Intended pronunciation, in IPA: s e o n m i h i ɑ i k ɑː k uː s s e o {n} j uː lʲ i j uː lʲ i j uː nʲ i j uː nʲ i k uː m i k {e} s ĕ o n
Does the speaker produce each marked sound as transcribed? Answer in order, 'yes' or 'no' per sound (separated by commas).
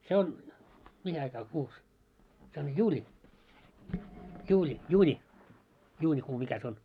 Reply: yes, no